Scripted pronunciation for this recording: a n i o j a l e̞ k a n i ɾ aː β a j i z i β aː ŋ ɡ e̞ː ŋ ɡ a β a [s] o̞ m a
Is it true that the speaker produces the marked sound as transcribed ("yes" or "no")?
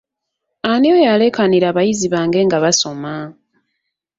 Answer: yes